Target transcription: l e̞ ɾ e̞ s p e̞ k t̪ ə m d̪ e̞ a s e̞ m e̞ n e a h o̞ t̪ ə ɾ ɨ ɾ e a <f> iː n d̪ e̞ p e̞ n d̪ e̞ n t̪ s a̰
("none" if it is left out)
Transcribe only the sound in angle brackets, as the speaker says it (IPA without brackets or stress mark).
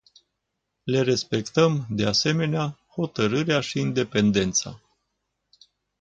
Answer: ʃ